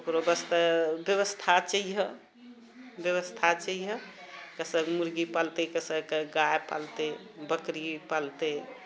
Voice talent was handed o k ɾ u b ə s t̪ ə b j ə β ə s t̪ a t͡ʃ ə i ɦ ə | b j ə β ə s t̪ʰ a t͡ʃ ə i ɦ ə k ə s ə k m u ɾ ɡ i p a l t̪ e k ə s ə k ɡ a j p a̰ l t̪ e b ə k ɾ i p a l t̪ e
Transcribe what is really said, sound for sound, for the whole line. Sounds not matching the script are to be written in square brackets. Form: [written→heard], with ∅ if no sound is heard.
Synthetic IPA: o k ɾ [u→o] b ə s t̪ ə b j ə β ə s [t̪→t̪ʰ] a t͡ʃ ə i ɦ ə | b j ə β ə s t̪ʰ a t͡ʃ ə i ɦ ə k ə s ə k m u ɾ ɡ i p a l t̪ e k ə s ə k ɡ a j p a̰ l t̪ e b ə k ɾ i p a l t̪ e